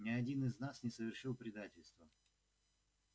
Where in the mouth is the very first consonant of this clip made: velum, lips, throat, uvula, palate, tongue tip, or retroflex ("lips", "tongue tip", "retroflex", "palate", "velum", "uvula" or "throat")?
tongue tip